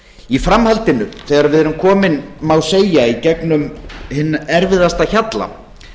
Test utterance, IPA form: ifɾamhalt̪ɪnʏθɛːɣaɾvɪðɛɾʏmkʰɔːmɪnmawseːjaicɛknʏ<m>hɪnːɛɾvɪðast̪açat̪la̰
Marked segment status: correct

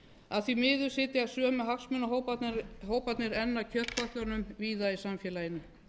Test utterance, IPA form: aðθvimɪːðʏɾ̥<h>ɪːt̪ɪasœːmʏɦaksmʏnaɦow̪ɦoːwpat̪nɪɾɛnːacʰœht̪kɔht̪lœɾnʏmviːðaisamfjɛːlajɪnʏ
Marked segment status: incorrect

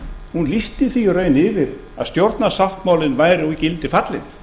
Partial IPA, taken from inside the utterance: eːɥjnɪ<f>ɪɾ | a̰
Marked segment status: incorrect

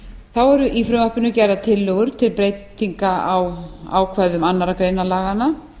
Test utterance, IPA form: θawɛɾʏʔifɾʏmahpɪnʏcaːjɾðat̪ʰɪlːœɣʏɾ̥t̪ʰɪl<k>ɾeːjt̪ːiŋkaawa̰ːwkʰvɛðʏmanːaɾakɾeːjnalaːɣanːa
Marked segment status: incorrect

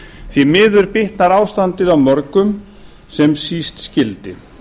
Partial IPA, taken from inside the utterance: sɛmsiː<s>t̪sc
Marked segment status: correct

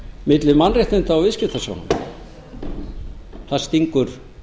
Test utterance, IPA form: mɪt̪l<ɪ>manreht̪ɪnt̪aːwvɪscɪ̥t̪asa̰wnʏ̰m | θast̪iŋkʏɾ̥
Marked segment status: correct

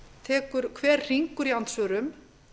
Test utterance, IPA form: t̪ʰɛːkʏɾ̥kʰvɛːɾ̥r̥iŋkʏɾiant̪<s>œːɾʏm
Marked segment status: correct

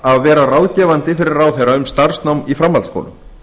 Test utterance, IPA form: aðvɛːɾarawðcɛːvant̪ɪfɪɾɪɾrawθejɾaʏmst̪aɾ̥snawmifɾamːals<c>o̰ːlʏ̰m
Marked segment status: incorrect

